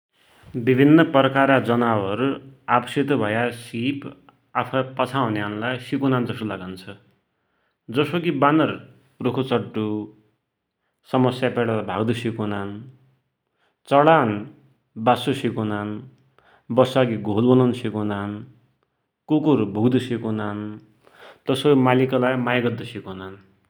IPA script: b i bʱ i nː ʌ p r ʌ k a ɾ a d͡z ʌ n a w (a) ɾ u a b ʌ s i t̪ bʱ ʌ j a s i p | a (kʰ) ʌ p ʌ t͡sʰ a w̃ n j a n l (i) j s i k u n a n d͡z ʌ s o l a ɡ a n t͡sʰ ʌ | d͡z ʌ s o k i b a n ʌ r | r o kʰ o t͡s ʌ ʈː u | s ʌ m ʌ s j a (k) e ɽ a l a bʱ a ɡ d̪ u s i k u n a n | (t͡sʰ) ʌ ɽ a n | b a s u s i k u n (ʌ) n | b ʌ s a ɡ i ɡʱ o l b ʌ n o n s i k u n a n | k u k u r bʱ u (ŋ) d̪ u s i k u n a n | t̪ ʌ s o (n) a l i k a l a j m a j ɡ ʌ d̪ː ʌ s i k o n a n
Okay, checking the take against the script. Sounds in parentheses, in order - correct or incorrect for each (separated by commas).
incorrect, incorrect, incorrect, incorrect, incorrect, incorrect, incorrect, incorrect